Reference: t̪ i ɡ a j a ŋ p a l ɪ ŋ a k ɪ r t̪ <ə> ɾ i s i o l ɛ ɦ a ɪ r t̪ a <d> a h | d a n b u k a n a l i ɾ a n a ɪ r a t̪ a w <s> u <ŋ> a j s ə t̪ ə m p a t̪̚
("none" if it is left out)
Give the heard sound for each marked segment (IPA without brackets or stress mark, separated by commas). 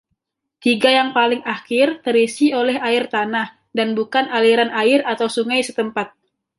ə, n, s, ŋ